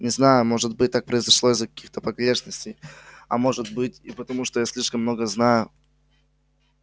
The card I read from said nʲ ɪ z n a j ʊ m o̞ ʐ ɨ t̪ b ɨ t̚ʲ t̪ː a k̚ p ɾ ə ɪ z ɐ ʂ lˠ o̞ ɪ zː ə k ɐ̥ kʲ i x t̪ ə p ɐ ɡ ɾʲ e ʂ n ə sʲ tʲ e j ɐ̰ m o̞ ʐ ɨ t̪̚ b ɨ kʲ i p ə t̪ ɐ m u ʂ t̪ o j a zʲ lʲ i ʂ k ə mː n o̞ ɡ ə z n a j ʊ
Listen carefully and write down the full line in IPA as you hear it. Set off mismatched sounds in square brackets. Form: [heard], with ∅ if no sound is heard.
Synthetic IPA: nʲ ɪ z n a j ʊ m o̞ ʐ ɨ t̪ b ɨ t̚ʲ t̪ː a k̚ p ɾ ə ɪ z ɐ ʂ lˠ o̞ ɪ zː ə k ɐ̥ kʲ i x t̪ ə p ɐ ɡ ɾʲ e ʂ n ə sʲ tʲ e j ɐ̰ m o̞ ʐ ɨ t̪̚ b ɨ [tʲ] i p ə t̪ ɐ m u ʂ t̪ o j a [sʲ] lʲ i ʂ k ə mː n o̞ ɡ ə z n a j ʊ